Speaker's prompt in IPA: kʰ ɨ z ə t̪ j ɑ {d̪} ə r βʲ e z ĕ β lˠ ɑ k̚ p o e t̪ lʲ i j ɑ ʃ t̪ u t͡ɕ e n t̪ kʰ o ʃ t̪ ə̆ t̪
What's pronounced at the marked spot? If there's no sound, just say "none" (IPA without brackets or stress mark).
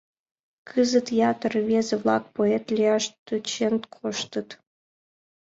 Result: t̪